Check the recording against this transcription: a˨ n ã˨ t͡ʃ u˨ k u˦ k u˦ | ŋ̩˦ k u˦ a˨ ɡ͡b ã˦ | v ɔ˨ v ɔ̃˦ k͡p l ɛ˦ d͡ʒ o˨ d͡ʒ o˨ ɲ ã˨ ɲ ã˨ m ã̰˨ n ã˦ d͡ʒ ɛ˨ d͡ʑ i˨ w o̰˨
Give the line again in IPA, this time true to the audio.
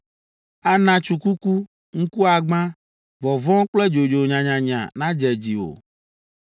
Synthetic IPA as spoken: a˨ n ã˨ t͡ʃ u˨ k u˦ k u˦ | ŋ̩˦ k u˦ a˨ ɡ͡b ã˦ | v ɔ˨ v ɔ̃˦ k͡p l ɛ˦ d͡ʒ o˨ d͡ʒ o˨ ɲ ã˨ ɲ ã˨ ɲ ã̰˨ n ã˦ d͡ʒ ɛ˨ d͡ʑ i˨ w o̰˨